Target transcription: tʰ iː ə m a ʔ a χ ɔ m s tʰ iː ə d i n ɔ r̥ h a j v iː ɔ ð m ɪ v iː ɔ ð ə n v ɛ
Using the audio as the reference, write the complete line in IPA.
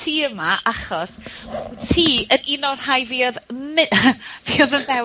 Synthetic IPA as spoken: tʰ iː ə m a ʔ a χ ɔ s tʰ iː ə n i n ɔ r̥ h a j v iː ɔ ð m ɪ v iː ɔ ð ə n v ɛ